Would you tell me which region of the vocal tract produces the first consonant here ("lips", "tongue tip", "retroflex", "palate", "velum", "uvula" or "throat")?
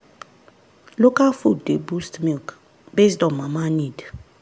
tongue tip